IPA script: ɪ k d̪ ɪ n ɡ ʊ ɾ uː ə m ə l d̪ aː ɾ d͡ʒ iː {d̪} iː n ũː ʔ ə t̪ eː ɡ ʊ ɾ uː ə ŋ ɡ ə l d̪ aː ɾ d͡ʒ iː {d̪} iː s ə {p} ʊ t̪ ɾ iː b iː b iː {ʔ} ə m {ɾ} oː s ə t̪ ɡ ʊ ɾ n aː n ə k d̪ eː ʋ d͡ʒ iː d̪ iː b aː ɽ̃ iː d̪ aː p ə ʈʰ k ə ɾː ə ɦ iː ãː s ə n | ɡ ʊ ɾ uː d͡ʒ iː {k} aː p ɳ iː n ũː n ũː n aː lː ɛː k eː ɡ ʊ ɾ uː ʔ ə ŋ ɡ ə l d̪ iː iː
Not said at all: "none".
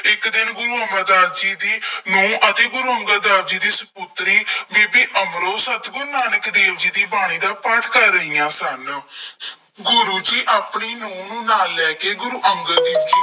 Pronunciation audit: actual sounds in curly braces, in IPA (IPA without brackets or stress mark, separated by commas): d̪, d̪, p, ʔ, ɾ, ʔ